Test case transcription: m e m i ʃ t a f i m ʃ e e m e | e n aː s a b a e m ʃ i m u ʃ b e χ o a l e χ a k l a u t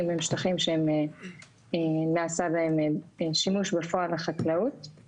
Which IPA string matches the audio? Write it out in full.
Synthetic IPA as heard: m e m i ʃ t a χ i m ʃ e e m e | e n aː s a b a e m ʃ i m u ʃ b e f o a l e χ a k l a u t